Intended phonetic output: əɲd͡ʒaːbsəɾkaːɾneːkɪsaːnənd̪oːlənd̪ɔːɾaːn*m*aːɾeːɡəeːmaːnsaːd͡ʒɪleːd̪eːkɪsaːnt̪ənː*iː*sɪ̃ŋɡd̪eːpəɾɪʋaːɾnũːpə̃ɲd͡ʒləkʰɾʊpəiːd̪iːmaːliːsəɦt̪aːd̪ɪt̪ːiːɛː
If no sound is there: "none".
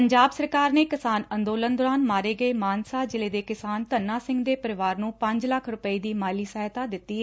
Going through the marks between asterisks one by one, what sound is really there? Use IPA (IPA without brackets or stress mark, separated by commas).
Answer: m, aː